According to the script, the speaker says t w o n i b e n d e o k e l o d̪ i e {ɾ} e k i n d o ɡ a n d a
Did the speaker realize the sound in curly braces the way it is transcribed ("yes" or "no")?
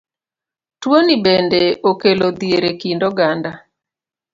yes